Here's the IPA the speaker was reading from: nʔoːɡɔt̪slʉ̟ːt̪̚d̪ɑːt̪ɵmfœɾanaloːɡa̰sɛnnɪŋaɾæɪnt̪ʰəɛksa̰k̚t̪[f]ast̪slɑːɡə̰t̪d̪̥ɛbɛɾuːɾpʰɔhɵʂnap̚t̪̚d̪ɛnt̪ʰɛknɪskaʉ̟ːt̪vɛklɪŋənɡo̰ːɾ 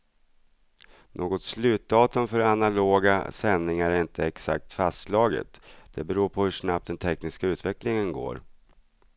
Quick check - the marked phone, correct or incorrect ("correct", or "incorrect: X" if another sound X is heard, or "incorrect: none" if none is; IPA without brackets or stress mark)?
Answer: correct